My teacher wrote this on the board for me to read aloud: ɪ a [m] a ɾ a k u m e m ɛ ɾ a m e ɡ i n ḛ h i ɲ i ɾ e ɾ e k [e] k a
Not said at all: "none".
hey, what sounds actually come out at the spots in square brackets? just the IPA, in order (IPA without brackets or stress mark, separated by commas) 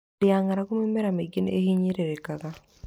ŋ, a